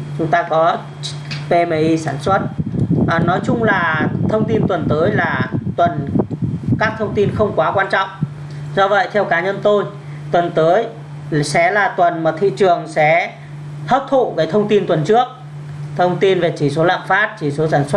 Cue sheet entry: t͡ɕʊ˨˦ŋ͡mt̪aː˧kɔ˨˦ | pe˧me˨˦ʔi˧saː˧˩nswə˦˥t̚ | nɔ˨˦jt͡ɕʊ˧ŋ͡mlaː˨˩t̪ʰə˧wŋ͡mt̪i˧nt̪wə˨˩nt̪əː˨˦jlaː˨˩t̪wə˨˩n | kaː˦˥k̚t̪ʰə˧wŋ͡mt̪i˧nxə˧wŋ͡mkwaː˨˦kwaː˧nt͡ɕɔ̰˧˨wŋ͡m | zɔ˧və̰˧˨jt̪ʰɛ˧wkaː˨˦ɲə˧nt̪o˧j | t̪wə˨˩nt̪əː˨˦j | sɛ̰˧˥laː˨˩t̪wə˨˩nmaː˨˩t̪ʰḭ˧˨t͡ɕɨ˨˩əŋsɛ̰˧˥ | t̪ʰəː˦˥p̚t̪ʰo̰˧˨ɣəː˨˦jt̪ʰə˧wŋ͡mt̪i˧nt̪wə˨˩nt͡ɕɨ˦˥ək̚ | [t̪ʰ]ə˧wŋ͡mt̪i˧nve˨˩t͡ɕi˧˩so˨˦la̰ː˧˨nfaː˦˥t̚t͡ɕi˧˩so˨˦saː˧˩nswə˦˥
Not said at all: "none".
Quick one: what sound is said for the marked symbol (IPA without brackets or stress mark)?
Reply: t̪ʰ